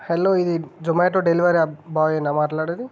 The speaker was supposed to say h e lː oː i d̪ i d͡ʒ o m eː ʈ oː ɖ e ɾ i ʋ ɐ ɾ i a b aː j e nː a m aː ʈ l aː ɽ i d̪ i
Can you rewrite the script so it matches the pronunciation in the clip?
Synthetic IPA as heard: h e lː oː i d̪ i d͡ʒ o m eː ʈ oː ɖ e l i ʋ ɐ ɾ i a b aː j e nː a m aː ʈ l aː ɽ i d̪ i